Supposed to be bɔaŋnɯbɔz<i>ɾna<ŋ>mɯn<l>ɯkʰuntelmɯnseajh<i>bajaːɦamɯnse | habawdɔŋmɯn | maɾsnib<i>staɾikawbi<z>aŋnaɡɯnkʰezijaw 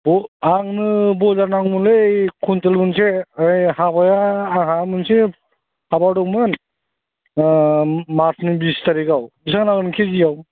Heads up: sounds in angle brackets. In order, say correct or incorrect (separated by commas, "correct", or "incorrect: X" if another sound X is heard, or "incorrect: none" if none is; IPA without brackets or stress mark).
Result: incorrect: a, correct, correct, incorrect: a, correct, incorrect: s